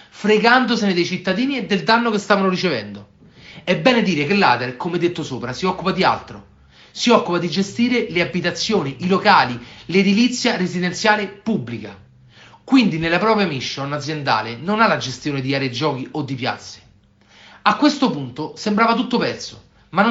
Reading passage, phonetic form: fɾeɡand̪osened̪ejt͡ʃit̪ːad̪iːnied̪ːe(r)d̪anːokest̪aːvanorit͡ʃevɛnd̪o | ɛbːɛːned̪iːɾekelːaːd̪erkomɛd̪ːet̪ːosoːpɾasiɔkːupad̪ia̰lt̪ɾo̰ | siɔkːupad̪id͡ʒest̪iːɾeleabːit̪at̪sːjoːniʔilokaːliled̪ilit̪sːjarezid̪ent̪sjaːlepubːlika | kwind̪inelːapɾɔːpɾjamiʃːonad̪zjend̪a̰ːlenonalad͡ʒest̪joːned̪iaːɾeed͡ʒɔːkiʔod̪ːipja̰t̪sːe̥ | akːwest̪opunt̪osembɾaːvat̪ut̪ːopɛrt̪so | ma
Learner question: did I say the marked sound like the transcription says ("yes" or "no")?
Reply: no